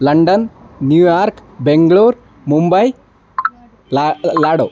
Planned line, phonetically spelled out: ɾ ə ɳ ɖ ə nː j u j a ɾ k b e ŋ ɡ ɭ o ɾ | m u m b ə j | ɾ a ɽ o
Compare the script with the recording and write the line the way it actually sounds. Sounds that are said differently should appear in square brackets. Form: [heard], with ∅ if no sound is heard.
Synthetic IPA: [l] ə ɳ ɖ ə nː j u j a ɾ k b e ŋ ɡ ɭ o ɾ | m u m b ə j | [l] a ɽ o